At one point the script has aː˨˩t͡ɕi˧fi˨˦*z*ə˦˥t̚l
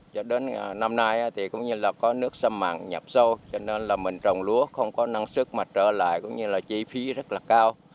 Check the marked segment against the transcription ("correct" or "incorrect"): correct